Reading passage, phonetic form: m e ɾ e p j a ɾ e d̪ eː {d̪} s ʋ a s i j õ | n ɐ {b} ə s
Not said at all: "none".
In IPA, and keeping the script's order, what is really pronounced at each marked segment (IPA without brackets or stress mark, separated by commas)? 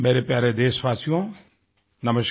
none, m